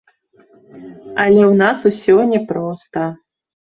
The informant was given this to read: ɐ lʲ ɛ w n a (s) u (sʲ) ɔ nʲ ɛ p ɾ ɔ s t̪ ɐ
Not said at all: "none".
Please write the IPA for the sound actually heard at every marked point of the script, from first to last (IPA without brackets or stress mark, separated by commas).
s, sʲ